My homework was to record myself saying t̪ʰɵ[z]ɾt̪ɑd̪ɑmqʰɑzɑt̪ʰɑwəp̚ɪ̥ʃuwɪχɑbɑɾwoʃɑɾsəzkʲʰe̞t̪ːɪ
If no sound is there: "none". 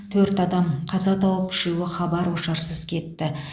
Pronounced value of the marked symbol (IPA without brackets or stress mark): none